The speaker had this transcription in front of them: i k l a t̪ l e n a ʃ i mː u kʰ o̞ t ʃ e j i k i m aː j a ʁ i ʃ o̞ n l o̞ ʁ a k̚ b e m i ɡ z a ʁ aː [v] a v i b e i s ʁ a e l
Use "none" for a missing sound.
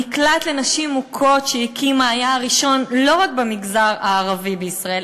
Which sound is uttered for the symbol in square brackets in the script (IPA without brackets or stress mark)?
ʁ